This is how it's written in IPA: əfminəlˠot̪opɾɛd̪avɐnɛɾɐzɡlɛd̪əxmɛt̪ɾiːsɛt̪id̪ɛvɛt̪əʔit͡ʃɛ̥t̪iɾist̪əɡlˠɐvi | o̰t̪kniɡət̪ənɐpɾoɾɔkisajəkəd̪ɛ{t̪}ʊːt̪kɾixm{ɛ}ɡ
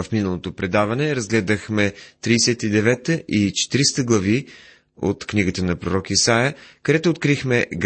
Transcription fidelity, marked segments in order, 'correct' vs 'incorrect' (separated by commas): correct, correct